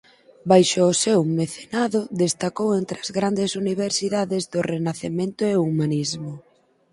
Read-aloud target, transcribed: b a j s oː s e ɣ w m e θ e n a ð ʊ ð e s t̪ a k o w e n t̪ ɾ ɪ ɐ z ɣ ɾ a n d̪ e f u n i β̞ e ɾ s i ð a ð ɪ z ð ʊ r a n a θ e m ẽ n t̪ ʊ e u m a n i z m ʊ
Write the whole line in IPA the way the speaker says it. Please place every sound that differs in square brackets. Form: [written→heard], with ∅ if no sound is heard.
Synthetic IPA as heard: b a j [s→ʃ] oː s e [ɣ→∅] w m e θ e n a ð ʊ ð e s t̪ a k o w e n t̪ ɾ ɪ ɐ z ɣ ɾ a n d̪ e [f→s] u n i β̞ e ɾ s i ð a ð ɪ z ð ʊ r [a→e] n a θ e m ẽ n t̪ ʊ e u m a n i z m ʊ